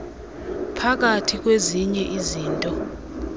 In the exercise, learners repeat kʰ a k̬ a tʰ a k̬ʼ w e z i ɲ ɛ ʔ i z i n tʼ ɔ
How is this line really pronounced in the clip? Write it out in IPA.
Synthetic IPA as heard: pʰ a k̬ a tʰ i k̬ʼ w e z i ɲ ɛ ʔ i z iː n tʼ ɔ